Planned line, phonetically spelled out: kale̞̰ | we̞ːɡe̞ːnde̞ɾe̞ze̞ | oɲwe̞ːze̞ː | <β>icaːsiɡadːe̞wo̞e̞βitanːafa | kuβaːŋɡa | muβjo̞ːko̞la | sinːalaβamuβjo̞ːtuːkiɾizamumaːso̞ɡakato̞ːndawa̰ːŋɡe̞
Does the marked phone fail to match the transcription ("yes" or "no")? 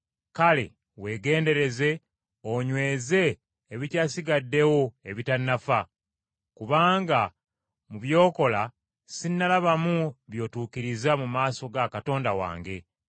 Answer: no